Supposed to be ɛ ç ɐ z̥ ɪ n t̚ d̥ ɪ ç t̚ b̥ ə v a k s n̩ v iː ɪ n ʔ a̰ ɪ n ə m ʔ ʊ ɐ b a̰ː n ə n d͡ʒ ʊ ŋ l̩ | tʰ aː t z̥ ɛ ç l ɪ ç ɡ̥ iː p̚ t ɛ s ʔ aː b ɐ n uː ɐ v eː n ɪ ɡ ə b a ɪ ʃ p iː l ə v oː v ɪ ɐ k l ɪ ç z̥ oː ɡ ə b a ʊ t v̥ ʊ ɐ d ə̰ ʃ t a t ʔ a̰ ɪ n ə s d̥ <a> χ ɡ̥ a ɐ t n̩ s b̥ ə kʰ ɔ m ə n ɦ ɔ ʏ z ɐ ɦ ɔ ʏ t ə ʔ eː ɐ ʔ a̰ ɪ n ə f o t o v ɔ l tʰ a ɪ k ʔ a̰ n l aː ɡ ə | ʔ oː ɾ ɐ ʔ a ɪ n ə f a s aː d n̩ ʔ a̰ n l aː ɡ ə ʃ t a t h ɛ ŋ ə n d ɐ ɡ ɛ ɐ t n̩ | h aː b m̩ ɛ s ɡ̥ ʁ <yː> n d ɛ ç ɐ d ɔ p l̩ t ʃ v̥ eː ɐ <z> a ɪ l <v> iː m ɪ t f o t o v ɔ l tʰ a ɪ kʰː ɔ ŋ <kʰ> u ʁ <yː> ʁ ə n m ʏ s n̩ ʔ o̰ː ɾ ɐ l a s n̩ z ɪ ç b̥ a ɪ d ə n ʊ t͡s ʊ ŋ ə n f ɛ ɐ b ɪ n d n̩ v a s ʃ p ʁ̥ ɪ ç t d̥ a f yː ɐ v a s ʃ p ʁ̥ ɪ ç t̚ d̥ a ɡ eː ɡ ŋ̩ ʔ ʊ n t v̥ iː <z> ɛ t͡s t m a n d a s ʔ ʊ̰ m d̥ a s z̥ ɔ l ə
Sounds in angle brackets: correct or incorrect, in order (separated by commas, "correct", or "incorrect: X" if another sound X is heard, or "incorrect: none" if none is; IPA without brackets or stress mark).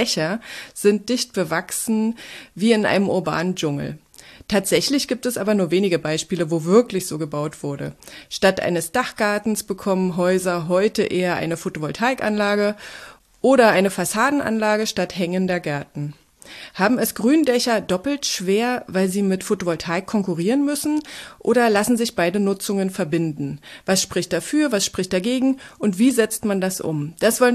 correct, correct, incorrect: v, incorrect: z, incorrect: k, incorrect: iː, correct